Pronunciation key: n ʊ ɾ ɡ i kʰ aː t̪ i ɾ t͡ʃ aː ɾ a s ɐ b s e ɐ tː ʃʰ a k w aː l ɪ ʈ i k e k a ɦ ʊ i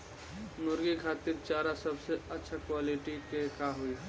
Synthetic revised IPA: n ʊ ɾ ɡ i kʰ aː t̪ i ɾ t͡ʃ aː ɾ a s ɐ b s e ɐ tː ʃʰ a k w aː l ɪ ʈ i k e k a ɦ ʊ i